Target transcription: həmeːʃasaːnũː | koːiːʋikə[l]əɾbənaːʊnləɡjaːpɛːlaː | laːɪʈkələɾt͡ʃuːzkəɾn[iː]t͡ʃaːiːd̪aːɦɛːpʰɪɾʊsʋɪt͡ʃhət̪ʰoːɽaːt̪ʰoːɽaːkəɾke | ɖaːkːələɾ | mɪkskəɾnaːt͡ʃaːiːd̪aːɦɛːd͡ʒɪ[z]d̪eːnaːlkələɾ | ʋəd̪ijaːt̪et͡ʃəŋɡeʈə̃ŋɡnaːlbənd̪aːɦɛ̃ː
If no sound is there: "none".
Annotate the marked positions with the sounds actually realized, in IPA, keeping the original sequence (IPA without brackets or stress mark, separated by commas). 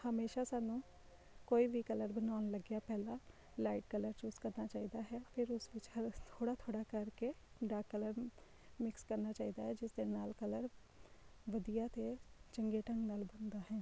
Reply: l, aː, s